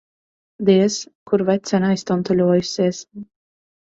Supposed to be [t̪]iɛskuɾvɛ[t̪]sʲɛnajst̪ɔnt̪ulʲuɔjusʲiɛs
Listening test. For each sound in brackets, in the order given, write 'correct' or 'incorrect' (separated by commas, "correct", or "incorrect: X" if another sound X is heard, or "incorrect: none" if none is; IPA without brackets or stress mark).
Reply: incorrect: d̪, correct